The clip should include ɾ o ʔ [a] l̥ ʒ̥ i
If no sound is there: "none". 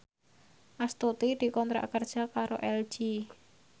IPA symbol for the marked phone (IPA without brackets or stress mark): ɛ